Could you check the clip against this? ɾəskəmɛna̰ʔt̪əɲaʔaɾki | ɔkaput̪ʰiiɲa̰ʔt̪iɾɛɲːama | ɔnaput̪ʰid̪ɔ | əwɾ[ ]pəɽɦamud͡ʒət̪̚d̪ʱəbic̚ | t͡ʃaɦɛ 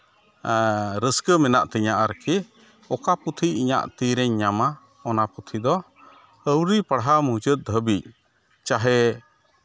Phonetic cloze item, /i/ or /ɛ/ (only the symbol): i